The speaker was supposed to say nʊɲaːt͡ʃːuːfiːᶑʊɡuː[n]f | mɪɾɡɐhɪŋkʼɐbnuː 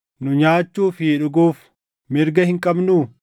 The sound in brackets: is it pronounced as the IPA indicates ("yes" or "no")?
no